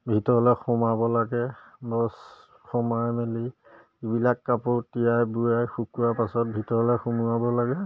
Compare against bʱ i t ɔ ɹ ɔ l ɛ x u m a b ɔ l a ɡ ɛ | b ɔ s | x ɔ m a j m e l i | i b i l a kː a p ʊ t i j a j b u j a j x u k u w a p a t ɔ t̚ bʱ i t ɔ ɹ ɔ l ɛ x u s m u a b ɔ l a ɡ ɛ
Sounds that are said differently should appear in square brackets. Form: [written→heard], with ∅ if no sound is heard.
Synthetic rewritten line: bʱ i t ɔ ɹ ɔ l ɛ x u m a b ɔ l a ɡ ɛ | b ɔ s | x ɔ m a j m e l i | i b i l a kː a p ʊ t i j a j b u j a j x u k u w a p a [t→s] ɔ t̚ bʱ i t ɔ ɹ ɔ l ɛ x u [s→∅] m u a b ɔ l a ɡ ɛ